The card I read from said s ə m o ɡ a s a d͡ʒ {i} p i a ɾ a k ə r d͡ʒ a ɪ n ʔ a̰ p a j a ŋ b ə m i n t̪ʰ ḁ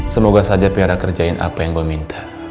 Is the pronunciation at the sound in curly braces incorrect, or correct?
incorrect